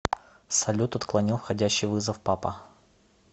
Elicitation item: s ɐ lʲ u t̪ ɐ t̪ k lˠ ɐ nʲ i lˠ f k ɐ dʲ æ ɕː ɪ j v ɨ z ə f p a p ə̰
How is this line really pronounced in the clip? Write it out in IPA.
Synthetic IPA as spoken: s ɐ lʲ u t̪ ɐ t̪ k lˠ ɐ nʲ i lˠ f x ɐ dʲ æ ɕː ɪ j v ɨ z ə f p a p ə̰